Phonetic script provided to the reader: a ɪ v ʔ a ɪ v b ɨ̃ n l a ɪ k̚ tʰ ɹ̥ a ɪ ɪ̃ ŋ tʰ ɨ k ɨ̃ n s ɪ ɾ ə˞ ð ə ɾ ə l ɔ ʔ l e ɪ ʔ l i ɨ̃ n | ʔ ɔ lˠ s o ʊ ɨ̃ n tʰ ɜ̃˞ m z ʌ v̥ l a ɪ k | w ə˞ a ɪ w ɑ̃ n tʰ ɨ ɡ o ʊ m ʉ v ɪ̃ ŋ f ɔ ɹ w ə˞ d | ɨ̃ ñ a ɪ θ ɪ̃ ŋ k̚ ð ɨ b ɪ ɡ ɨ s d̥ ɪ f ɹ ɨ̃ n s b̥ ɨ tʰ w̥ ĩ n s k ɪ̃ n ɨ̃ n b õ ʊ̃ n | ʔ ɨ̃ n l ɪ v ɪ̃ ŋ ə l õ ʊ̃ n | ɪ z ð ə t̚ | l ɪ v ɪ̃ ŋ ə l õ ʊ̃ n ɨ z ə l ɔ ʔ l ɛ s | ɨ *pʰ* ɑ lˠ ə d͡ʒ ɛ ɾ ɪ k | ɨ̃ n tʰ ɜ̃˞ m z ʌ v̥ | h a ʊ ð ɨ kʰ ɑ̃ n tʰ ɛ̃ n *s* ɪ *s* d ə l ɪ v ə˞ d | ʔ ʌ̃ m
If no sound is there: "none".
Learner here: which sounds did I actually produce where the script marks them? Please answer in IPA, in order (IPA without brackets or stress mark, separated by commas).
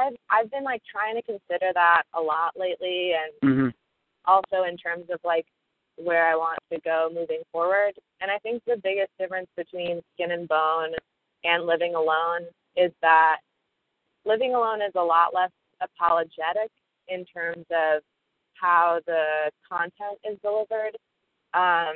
pʰ, t, z